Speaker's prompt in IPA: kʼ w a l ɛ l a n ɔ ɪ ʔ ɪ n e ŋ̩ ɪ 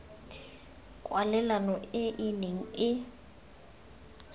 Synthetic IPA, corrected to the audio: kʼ w a l ɛ l a n ɔ ɪ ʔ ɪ n e ŋ̩ ɪ

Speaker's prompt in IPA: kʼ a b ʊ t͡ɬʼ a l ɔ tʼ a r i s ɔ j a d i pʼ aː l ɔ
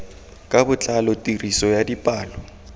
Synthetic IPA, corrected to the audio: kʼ a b ʊ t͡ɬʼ a l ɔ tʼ i r i s ɔ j a d i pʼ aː l ɔ

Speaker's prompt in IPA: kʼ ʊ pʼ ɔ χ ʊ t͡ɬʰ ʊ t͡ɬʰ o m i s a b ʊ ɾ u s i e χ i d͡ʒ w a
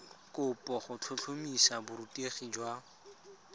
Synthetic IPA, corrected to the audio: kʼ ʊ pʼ ɔ χ ʊ t͡ɬʰ ʊ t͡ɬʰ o m i s a b ʊ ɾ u t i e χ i d͡ʒ w a

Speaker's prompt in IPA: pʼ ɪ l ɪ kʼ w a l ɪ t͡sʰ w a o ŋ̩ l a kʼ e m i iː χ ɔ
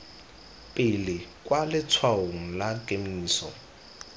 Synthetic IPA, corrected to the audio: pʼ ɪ l ɪ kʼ w a l ɪ t͡sʰ w a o ŋ̩ l a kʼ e m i iː s ɔ

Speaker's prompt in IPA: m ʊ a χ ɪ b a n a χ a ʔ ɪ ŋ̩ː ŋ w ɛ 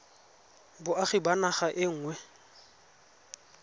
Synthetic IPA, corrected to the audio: b ʊ a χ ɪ b a n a χ a ʔ ɪ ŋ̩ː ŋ w ɛ

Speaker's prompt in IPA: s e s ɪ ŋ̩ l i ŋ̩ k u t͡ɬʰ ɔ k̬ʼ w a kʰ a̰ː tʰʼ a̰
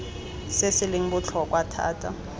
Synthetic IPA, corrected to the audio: s e s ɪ l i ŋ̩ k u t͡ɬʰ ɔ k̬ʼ w a tʰ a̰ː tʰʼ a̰

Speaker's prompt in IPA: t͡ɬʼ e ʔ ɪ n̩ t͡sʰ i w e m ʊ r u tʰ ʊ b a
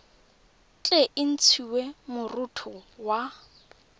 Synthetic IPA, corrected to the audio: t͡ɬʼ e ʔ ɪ n̩ t͡sʰ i w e m ʊ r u tʰ ʊ w a

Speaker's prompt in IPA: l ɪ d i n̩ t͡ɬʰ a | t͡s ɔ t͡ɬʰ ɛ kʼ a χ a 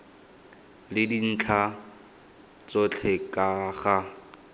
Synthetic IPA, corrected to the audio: l ɪ d i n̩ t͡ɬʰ a | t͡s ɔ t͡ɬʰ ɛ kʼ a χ a

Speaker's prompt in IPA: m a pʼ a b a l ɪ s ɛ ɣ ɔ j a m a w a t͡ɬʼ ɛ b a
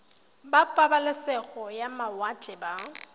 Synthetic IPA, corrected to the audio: b a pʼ a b a l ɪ s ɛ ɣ ɔ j a m a w a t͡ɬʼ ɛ b a

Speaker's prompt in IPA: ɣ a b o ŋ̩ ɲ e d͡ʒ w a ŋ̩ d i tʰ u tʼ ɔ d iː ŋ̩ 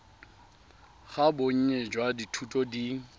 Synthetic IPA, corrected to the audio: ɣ a b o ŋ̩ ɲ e d͡ʒ w a d i tʰ u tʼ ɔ d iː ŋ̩

